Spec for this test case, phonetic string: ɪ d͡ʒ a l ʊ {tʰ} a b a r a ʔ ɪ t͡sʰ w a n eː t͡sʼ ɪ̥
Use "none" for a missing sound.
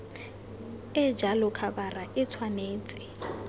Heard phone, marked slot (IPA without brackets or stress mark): kʰ